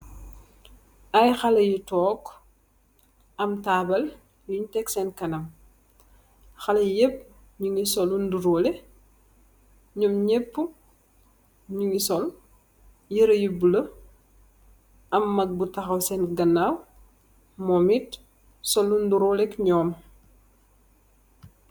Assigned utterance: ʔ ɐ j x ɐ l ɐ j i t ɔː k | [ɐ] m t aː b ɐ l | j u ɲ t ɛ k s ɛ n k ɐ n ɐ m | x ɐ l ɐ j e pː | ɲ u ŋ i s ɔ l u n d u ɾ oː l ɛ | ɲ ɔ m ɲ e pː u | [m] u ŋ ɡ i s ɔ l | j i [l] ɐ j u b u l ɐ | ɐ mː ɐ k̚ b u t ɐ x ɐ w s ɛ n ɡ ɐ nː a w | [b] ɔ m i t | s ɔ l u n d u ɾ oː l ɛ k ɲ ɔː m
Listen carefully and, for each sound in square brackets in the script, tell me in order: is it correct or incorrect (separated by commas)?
correct, incorrect, incorrect, incorrect